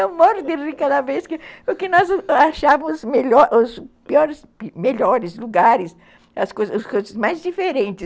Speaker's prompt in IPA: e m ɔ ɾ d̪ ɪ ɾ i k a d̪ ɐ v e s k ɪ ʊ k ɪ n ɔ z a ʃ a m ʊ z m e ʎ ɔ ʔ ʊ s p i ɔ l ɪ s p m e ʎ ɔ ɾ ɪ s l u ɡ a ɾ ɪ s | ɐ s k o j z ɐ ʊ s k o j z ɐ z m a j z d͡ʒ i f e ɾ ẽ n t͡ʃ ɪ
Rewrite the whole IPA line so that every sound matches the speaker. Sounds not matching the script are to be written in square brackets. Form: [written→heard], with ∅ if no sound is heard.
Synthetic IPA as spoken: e m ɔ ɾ d̪ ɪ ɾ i k a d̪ ɐ v e s k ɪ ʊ k ɪ n ɔ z a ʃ a m ʊ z m e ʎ ɔ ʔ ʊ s p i ɔ [l→ɾ] ɪ s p m e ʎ ɔ ɾ ɪ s l u ɡ a ɾ ɪ s | ɐ s k o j z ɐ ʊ s k o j z ɐ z m a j z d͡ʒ i f e ɾ ẽ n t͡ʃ ɪ

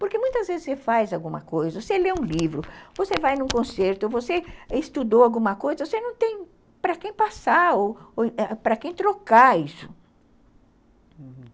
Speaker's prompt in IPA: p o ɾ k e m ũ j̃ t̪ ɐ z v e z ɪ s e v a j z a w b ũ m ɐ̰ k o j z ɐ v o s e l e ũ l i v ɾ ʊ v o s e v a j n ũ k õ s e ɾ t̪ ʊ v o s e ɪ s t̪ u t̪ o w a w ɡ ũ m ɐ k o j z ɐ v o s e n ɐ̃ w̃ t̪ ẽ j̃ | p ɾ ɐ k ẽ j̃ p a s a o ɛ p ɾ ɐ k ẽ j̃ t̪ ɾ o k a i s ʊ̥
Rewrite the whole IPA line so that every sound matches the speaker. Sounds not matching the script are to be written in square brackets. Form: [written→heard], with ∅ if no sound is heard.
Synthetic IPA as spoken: p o ɾ k e m ũ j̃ t̪ ɐ z v e z ɪ s e [v→f] a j z a w [b→ɡ] ũ m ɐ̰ k o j z ɐ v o s e l e ũ l i v ɾ ʊ v o s e v a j n ũ k õ s e ɾ t̪ ʊ v o s e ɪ s t̪ u [t̪→d̪] o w a w ɡ ũ m ɐ k o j z ɐ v o s e n ɐ̃ w̃ t̪ ẽ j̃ | p ɾ ɐ k ẽ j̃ p a s a o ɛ p ɾ ɐ k ẽ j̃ t̪ ɾ o k a i s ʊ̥

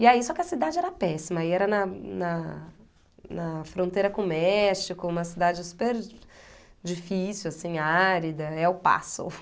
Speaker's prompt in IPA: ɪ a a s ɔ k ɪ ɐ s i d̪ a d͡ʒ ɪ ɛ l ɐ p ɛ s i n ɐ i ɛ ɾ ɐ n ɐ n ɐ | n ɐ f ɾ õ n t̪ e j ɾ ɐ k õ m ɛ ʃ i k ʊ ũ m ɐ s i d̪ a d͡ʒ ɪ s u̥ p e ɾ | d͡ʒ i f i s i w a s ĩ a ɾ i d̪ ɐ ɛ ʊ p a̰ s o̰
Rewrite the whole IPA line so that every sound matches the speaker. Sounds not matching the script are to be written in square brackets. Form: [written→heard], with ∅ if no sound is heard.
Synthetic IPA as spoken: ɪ a [a→i] s ɔ k ɪ ɐ s i d̪ a d͡ʒ ɪ ɛ [l→ɾ] ɐ p ɛ s i [n→m] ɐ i ɛ ɾ ɐ n ɐ n ɐ | n ɐ f ɾ õ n t̪ e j ɾ ɐ k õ m ɛ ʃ i k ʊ ũ m ɐ s i d̪ a d͡ʒ ɪ s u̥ p e ɾ | d͡ʒ i f i s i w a s ĩ a ɾ i d̪ ɐ ɛ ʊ p a̰ s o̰

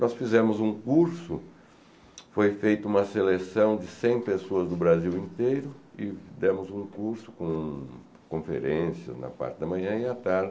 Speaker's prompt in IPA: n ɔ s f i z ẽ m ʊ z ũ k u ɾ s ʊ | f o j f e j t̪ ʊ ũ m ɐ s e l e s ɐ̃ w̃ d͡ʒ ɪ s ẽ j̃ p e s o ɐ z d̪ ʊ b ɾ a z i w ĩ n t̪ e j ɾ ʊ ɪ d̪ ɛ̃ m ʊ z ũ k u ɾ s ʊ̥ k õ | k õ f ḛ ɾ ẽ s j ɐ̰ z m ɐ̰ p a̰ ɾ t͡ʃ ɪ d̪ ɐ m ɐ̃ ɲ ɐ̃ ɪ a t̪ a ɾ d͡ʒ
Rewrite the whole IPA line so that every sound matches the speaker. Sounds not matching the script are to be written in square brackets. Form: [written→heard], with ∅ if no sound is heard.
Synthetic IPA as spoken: n ɔ s f i z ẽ m ʊ z ũ k u ɾ s ʊ | f o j f e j t̪ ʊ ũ m ɐ s e l e s ɐ̃ w̃ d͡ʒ ɪ s ẽ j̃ p e s o ɐ z d̪ ʊ b ɾ a z i w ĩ n t̪ e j ɾ ʊ ɪ d̪ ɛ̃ m ʊ z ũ k u ɾ s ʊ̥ k õ | k õ f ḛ ɾ ẽ s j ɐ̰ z [m→n] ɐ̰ p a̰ ɾ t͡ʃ ɪ d̪ ɐ m ɐ̃ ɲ ɐ̃ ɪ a t̪ a ɾ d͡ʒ

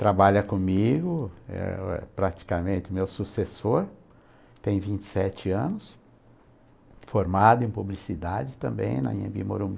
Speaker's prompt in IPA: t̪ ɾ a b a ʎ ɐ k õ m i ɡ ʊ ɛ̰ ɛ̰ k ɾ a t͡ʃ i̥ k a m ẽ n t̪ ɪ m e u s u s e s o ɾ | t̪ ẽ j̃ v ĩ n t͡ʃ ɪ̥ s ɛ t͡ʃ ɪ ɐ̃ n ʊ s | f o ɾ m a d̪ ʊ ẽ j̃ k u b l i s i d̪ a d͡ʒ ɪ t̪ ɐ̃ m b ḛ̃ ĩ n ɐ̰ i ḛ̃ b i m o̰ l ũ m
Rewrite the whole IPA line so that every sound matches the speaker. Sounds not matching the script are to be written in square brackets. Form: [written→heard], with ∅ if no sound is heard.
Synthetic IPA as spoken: t̪ ɾ a b a ʎ ɐ k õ m i ɡ ʊ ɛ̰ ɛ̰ [k→p] ɾ a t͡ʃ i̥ k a m ẽ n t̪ ɪ m e [u→w] s u s e s o ɾ | t̪ ẽ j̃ v ĩ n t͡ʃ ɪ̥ s ɛ t͡ʃ ɪ ɐ̃ n ʊ s | f o ɾ m a d̪ ʊ ẽ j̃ [k→p] u b l i s i d̪ a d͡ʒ ɪ t̪ ɐ̃ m b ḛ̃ [ĩ→j̃] n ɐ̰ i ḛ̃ b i m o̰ [l→ɾ] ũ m

